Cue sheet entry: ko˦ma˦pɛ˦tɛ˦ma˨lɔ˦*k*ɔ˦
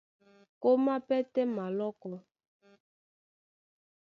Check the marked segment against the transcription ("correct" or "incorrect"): correct